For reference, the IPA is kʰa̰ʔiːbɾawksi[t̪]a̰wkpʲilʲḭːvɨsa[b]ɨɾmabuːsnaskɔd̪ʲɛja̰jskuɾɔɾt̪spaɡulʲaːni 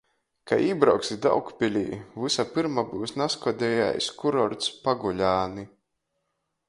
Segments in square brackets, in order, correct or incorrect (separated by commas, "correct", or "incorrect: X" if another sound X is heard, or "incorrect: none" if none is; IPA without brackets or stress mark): incorrect: d̪, incorrect: p